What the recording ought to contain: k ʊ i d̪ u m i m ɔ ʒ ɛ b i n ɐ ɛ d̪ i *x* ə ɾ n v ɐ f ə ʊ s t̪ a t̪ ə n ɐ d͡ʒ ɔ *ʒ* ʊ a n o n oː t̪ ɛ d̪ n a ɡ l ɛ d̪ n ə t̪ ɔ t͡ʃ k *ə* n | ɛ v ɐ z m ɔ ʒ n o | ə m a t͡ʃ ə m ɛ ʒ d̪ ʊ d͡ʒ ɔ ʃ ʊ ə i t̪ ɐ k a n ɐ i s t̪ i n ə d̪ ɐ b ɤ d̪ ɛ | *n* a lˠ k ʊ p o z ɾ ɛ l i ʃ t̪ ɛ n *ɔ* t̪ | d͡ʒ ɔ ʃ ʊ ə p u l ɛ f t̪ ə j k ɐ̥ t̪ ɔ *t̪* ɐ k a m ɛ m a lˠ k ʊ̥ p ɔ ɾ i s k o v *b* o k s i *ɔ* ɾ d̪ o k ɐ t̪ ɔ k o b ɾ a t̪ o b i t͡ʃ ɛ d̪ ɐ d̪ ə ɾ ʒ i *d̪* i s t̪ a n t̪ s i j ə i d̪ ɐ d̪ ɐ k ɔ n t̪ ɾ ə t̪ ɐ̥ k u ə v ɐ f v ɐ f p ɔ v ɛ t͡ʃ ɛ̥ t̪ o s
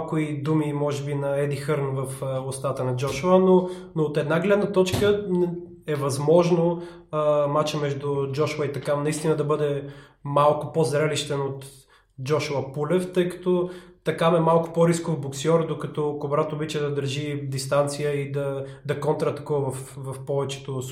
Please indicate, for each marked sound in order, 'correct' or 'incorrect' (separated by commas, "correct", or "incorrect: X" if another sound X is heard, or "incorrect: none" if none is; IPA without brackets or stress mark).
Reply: correct, incorrect: ʃ, correct, incorrect: m, incorrect: o, correct, correct, correct, correct